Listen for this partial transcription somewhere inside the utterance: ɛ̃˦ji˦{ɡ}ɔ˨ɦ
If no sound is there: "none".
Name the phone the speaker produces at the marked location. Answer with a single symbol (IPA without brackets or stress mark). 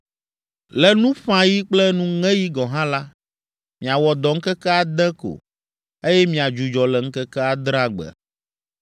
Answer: ɡ